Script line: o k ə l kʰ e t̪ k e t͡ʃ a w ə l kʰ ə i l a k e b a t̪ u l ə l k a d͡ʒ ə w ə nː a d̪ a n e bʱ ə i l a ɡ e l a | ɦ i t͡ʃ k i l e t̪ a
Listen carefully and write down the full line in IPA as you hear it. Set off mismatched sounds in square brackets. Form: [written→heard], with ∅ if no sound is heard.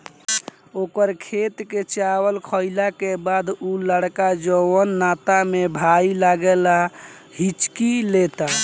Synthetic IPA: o k ə [l→ɾ] kʰ e t̪ k e t͡ʃ a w ə l kʰ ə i l a k e b a [t̪→d̪] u l ə [l→ɽ] k a d͡ʒ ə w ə nː a [d̪→t̪] a [n→m] e bʱ [ə→a] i l a ɡ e l a | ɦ i t͡ʃ k i l e t̪ a